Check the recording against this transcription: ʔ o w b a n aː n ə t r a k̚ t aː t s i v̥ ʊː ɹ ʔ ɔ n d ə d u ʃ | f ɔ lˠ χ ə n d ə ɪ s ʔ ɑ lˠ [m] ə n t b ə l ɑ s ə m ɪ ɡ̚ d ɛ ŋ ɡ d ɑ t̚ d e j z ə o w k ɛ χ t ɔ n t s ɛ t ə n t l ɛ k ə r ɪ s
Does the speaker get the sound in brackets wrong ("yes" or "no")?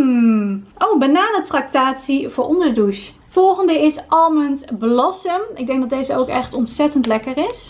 no